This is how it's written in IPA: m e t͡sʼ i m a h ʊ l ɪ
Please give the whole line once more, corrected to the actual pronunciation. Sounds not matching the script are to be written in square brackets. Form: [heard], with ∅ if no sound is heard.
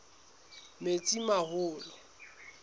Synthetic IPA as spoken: m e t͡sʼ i m a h [ʊː] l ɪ